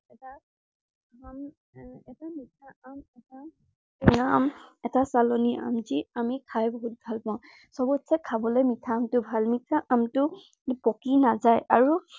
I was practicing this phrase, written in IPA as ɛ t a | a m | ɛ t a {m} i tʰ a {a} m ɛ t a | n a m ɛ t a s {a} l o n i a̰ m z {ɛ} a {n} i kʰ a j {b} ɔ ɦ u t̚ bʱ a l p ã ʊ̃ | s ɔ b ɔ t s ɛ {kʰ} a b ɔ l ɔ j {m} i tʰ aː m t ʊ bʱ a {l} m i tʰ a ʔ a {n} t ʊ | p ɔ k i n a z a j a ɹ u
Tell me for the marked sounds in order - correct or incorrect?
correct, correct, correct, incorrect, incorrect, correct, correct, correct, correct, incorrect

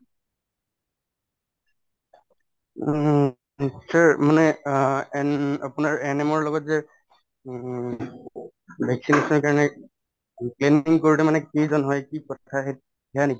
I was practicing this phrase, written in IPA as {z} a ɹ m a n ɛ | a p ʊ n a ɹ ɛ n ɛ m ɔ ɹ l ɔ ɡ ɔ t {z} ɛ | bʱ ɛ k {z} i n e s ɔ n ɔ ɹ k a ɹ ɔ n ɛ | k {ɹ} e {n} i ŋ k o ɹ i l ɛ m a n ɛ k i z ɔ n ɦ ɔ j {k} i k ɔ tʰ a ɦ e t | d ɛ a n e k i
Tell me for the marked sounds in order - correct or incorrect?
incorrect, correct, incorrect, incorrect, correct, correct

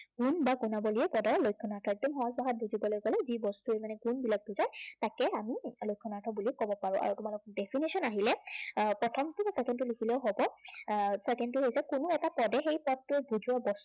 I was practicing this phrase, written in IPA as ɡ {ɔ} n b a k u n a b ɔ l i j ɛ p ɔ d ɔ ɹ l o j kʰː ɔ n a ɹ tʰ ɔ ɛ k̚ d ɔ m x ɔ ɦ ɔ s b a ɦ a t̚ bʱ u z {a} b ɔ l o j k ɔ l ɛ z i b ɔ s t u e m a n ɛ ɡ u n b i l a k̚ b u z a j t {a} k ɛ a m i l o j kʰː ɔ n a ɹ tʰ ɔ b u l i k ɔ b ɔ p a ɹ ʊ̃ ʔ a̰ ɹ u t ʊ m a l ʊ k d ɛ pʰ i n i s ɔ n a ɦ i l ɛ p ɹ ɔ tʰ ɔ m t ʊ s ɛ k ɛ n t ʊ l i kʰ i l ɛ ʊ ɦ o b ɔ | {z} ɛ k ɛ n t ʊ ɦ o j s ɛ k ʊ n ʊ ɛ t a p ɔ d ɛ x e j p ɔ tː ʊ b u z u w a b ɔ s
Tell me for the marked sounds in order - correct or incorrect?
incorrect, incorrect, correct, incorrect

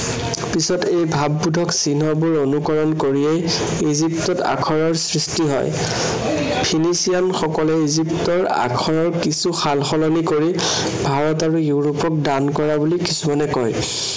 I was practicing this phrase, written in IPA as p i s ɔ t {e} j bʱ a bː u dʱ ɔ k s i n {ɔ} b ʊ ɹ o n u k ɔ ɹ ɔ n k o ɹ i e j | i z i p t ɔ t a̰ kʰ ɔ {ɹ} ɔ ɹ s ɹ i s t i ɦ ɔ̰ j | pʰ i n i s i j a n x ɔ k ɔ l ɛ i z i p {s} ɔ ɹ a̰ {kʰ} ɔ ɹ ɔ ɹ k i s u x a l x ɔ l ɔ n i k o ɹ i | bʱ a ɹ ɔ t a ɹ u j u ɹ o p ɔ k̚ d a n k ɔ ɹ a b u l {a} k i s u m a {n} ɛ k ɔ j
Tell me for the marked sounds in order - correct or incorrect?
correct, correct, correct, incorrect, correct, incorrect, correct

